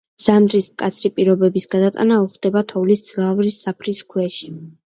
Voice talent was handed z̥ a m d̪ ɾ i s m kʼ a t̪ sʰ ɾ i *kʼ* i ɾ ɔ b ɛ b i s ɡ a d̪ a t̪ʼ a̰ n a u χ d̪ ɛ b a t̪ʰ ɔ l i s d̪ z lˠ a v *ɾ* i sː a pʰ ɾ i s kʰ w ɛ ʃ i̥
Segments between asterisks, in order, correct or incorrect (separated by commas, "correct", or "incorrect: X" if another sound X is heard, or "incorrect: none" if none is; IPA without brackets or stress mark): incorrect: pʼ, correct